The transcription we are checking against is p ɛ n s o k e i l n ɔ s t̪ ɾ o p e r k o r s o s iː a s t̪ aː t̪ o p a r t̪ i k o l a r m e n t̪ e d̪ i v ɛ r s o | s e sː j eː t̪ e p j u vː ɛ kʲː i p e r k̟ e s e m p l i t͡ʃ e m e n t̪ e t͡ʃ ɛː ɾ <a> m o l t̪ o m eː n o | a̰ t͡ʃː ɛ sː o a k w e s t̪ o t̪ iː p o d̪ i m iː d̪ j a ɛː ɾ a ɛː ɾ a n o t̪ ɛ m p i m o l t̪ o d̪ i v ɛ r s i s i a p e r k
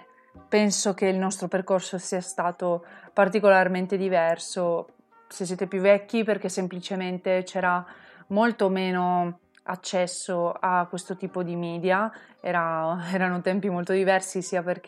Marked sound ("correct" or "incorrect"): correct